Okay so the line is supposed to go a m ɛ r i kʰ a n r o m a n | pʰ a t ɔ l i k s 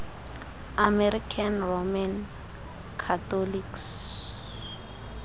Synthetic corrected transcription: a m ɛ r i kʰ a n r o m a n | kʰ a t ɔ l i k s